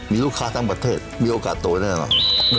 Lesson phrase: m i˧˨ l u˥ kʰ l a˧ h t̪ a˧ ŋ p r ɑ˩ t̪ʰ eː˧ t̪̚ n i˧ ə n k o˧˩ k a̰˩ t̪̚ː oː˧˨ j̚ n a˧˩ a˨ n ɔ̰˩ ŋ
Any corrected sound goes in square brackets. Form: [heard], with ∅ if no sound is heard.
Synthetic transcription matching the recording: m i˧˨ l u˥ kʰ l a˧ h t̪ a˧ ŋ p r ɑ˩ t̪ʰ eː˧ t̪̚ [m] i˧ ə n [ʔ] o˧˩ k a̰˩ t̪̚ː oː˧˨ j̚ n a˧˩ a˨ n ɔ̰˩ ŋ